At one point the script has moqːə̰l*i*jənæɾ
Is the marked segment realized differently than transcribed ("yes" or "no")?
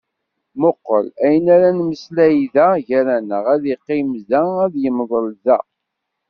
yes